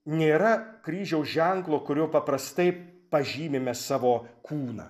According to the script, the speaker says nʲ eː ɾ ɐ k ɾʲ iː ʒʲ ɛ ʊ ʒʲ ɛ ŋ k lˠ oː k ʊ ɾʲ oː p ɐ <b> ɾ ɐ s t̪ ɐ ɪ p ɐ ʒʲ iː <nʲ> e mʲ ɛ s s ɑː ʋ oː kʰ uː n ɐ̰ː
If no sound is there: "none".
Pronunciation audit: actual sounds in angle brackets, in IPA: p, mʲ

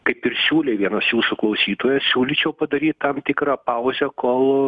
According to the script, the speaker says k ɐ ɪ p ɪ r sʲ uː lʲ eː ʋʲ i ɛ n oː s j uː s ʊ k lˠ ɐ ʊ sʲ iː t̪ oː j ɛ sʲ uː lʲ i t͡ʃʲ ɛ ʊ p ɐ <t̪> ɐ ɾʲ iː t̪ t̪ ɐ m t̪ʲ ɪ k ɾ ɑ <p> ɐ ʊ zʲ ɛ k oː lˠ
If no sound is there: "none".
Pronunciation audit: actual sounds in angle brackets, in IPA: d̪, p

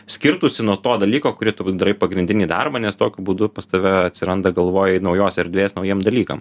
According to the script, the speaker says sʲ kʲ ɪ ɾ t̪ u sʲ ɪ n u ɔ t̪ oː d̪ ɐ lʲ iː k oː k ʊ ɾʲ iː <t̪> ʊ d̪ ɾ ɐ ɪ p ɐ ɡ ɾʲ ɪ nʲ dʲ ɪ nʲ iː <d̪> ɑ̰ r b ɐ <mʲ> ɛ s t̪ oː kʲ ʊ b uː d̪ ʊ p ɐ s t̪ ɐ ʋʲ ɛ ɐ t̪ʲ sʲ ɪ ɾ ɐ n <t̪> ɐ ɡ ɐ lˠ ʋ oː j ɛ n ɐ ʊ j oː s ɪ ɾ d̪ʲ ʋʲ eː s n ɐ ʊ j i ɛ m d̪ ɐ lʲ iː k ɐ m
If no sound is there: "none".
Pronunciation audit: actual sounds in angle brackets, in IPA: t̪, d̪, nʲ, d̪

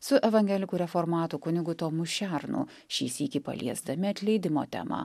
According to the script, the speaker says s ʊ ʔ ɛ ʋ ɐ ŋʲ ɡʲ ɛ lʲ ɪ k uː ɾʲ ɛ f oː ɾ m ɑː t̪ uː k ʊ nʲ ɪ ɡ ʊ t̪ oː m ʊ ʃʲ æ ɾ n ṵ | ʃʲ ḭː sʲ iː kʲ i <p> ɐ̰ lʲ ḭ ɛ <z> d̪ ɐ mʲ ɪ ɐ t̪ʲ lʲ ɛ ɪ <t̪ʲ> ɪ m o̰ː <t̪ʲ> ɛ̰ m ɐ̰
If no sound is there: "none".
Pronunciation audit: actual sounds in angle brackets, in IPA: p, z, d̪ʲ, t̪ʲ

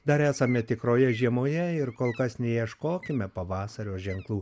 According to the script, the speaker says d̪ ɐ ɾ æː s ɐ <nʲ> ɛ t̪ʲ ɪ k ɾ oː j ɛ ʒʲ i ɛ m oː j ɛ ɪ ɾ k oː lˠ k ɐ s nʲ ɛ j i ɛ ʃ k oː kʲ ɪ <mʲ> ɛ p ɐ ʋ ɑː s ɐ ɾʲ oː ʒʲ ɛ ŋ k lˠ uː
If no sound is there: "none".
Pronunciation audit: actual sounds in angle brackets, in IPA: mʲ, mʲ

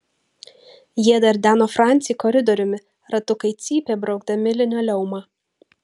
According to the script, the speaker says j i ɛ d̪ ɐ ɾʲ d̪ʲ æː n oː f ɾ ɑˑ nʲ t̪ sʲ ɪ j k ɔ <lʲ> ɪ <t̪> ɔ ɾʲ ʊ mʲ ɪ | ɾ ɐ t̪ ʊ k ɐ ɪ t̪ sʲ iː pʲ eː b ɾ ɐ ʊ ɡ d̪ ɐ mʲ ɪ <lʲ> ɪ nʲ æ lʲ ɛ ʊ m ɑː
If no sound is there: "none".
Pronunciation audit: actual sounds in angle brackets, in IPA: ɾʲ, d̪, lʲ

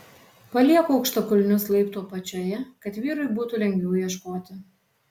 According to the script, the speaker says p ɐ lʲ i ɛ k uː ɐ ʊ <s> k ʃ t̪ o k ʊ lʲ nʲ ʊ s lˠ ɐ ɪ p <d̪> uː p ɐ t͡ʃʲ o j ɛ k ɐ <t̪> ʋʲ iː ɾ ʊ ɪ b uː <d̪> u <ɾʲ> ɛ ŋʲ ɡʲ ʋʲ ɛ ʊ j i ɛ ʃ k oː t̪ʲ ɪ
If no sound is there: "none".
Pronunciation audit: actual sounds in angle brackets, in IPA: none, t̪, t̪, t̪, lʲ

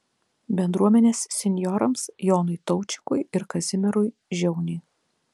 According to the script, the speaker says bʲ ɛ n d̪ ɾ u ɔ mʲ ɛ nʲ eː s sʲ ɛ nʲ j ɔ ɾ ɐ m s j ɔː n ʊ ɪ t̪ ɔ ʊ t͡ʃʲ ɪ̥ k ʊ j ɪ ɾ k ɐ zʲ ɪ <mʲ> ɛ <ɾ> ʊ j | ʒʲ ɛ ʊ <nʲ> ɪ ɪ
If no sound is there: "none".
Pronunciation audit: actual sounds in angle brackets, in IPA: mʲ, ɾ, nʲ

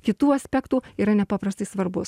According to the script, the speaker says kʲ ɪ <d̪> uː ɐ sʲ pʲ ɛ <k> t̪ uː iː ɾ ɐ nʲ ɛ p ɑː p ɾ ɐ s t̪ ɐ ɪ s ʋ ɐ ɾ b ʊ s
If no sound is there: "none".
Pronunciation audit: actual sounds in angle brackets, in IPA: t̪, k

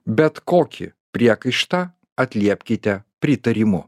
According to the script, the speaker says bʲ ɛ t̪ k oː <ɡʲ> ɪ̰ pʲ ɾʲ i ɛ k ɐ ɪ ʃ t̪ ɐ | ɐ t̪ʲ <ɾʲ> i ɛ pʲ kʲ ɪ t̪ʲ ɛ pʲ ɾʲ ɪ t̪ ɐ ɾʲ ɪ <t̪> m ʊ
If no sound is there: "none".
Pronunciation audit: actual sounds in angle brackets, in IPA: kʲ, lʲ, none

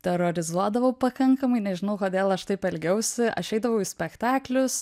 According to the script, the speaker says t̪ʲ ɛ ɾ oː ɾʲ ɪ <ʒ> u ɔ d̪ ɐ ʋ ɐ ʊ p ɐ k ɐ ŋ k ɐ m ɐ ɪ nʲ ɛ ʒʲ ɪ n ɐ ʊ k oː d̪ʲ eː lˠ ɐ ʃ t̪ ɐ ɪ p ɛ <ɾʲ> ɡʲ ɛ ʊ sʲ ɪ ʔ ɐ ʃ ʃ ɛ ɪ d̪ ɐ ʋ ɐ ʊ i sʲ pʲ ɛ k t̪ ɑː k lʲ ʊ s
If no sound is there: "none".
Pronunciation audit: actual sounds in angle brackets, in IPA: z, lʲ

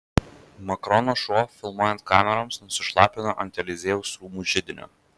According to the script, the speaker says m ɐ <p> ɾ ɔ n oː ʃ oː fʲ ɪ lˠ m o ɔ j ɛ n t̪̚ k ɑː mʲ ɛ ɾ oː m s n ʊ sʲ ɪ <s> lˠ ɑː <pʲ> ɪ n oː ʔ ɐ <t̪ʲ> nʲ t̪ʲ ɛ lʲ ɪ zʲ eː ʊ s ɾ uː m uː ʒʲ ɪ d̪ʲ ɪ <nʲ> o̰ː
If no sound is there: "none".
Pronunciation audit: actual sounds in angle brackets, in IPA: k, ʃ, pʲ, none, nʲ

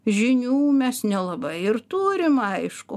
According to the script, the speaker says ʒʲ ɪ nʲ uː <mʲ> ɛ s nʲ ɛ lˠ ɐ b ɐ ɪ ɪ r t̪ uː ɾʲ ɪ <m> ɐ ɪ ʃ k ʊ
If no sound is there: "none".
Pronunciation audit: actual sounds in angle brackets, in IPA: mʲ, m

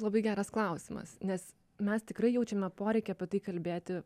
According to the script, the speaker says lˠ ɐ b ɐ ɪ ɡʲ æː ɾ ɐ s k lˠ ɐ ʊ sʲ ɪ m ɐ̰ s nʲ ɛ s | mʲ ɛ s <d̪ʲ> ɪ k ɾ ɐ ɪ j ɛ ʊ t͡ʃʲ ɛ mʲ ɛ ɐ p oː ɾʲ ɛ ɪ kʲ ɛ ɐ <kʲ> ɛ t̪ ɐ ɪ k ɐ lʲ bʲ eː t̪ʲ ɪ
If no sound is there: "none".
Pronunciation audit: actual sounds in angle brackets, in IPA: t̪ʲ, pʲ

